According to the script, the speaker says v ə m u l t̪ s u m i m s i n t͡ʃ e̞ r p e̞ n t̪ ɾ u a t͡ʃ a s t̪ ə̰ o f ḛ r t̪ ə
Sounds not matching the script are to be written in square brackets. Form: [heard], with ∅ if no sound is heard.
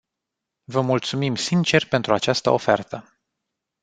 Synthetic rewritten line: v ə m u l t̪ s u m i m s i n t͡ʃ e̞ r p e̞ n t̪ ɾ u a t͡ʃ a s t̪ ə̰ o f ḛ r t̪ ə

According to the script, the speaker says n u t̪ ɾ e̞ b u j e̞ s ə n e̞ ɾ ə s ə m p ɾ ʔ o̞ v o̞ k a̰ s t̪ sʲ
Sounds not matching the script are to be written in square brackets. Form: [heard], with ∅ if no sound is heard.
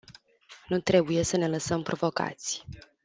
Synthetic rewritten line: n u t̪ ɾ e̞ b u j e̞ s ə n e̞ [l] ə s ə m p ɾ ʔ o̞ v o̞ k a̰ [∅] t̪ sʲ

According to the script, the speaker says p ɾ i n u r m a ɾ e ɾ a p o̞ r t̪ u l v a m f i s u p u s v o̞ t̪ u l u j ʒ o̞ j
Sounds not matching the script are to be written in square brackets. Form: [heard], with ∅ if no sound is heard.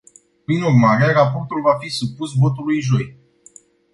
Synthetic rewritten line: p ɾ i n u r m a ɾ e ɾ a p o̞ r t̪ u l v a [∅] f i s u p u s v o̞ t̪ u l u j ʒ o̞ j

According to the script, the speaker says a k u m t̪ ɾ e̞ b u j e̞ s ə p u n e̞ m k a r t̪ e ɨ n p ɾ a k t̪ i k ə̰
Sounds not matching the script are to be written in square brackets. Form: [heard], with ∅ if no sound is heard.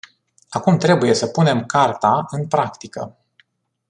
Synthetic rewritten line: a k u m t̪ ɾ e̞ b u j e̞ s ə p u n e̞ m k a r t̪ [a] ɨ n p ɾ a k t̪ i k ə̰

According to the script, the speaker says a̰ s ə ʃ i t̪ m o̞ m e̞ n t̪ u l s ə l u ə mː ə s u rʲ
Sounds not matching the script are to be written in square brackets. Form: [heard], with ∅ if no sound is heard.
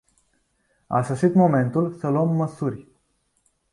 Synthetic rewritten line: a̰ s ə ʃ i t̪ m o̞ m e̞ n t̪ u l s ə l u ə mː ə s u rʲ

